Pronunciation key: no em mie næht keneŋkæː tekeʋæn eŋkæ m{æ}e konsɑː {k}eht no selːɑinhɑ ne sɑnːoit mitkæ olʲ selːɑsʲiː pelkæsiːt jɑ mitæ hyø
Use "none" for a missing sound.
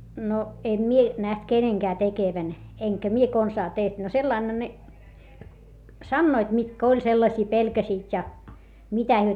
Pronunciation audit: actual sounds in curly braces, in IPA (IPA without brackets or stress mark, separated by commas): i, t